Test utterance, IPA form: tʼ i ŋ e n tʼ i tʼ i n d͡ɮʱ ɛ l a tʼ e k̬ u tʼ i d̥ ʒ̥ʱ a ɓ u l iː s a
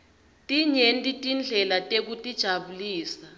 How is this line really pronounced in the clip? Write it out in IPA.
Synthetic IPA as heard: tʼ i ɲ e n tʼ i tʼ i n d͡ɮʱ ɛ l a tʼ e k̬ u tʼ i d̥ ʒ̥ʱ a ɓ u l iː s a